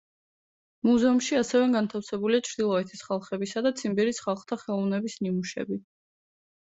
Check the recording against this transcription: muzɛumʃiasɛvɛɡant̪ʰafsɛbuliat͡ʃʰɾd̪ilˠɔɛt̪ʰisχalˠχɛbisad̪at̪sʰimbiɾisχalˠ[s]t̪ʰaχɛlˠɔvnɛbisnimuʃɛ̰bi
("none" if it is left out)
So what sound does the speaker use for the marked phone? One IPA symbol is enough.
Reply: χ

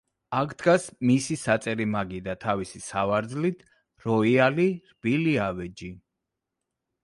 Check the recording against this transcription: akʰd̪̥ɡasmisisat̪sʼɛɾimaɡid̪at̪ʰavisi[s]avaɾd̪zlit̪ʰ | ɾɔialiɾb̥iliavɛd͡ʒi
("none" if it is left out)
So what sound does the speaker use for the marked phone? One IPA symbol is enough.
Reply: s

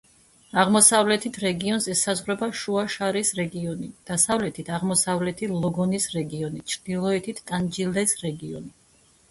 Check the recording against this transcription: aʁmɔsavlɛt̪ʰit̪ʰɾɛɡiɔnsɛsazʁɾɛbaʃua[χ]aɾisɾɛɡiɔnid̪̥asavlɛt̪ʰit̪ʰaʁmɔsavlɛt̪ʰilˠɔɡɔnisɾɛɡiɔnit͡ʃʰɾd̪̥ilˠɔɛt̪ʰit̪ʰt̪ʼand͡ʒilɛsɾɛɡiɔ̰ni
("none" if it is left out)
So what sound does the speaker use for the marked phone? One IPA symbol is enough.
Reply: ʃ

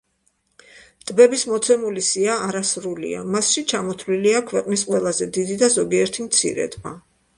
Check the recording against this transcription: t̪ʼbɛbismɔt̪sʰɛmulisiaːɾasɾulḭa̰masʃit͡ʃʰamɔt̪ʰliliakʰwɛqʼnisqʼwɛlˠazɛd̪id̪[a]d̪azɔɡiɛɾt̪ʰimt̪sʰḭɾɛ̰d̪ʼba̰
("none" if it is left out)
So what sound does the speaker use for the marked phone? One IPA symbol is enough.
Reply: i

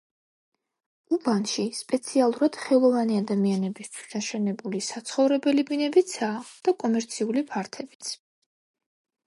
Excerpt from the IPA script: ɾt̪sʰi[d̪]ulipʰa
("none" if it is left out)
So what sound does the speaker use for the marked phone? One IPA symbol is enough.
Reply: none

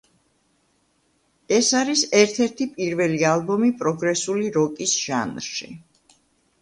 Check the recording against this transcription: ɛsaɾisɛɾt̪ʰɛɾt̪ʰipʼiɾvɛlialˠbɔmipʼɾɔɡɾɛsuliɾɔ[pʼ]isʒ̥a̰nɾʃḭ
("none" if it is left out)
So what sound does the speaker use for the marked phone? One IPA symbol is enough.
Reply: kʼ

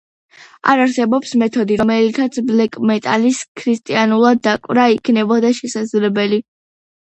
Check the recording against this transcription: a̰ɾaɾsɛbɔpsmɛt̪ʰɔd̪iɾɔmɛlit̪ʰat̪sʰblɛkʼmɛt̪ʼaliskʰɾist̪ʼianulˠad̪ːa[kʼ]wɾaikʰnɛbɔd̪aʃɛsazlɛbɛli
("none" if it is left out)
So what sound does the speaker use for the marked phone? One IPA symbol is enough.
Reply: kʼ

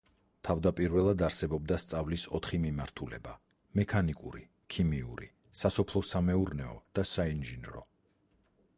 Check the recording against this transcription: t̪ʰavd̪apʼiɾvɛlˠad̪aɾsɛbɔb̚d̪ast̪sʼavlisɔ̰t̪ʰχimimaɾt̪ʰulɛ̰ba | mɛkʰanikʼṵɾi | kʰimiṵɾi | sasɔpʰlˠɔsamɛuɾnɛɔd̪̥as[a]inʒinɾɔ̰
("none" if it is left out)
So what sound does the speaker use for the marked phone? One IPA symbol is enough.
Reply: a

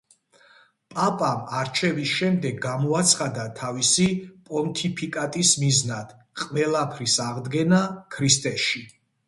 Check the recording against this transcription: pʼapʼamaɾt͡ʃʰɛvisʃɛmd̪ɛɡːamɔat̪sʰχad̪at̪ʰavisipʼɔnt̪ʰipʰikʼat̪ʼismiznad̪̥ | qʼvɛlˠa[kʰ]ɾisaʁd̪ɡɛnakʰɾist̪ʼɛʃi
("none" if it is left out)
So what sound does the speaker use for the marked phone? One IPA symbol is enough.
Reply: pʰ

